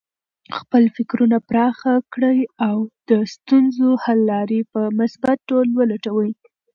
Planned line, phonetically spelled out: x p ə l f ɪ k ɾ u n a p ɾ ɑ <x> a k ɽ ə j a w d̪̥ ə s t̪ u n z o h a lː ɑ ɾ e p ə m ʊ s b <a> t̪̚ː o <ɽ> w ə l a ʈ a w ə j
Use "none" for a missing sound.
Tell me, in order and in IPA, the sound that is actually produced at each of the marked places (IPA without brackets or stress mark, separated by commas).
x, a, l